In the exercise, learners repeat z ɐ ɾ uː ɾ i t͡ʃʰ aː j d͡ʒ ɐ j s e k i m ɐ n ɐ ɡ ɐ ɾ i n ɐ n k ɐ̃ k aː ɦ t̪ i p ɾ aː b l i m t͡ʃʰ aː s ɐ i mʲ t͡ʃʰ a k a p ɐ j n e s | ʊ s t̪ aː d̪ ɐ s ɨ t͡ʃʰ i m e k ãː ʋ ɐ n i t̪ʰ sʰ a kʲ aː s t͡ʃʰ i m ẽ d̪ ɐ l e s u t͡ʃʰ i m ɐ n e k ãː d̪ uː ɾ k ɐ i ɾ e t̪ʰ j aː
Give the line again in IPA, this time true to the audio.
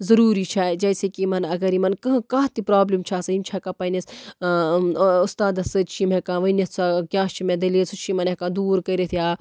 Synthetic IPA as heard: z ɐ ɾ uː ɾ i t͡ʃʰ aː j d͡ʒ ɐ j s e k i m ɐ n ɐ ɡ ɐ ɾ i m ɐ n k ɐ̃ k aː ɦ t̪ i p ɾ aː b l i m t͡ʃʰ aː s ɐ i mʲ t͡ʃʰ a k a p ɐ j n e s | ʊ s t̪ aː d̪ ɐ s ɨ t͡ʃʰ i m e k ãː ʋ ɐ n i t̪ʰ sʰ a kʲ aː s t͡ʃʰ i m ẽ d̪ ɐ l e s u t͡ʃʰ i m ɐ n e k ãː d̪ uː ɾ k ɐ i ɾ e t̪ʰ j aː